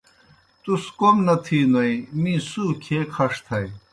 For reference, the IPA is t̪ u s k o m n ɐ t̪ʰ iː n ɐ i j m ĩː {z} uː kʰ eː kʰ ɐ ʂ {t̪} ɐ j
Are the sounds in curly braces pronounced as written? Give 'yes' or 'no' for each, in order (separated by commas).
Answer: no, no